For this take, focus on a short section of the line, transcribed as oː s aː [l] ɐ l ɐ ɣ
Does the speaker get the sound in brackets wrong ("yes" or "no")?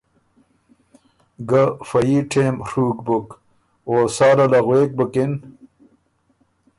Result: yes